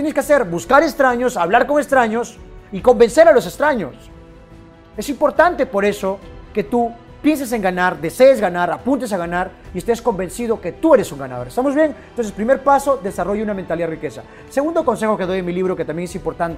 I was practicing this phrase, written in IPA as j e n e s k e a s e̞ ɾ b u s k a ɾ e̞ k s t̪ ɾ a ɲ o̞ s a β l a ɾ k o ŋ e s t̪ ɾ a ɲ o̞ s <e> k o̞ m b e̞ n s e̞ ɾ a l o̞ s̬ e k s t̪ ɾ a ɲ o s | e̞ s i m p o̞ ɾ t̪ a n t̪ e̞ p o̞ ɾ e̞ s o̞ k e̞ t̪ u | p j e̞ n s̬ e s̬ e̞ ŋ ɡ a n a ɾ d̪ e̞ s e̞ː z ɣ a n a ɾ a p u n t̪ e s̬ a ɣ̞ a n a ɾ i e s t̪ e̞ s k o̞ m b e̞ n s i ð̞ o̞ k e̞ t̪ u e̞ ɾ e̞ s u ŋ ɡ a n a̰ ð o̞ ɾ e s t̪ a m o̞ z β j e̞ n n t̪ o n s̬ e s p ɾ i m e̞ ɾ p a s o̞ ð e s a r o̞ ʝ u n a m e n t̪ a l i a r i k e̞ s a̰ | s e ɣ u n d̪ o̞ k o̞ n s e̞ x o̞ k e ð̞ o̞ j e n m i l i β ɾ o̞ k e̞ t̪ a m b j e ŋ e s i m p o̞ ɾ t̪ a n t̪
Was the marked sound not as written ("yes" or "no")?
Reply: yes